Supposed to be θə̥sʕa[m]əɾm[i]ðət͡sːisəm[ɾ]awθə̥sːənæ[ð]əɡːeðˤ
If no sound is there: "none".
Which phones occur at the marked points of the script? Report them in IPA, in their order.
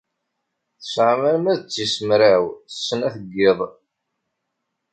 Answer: m, æ, ɾ, θ

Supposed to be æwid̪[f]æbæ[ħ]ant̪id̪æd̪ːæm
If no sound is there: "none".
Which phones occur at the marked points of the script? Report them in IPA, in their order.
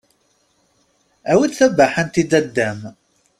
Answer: θ, ħ

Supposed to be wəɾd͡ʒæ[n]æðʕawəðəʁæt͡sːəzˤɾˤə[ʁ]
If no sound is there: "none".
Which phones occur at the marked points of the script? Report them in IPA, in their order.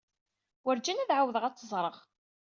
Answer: n, ʁ

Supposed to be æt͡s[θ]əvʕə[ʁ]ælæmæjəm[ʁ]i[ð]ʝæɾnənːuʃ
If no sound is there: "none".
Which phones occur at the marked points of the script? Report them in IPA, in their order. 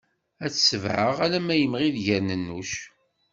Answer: s, ʁ, ʁ, ð

